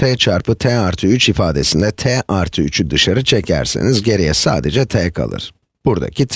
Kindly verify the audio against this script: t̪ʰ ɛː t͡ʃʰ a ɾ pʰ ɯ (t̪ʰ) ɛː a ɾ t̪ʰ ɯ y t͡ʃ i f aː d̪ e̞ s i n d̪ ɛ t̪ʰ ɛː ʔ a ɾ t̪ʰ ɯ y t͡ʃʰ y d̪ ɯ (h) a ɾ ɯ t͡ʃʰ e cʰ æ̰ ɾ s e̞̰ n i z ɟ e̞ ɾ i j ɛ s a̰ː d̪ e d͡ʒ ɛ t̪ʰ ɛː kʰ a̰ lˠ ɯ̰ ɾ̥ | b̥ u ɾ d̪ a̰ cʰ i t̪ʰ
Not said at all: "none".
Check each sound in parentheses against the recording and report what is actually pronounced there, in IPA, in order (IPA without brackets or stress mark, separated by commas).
t̪ʰ, ʃ